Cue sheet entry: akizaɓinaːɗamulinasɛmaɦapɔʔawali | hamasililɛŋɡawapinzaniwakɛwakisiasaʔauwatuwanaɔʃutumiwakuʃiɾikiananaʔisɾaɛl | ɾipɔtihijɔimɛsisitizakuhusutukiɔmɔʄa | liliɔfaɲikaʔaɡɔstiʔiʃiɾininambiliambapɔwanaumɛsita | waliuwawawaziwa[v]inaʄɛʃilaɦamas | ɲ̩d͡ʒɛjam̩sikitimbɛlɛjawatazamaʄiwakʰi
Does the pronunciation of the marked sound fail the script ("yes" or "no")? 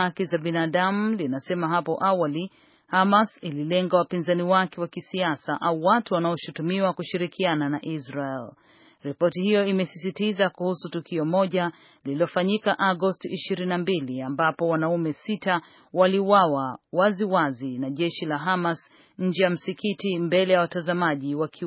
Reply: yes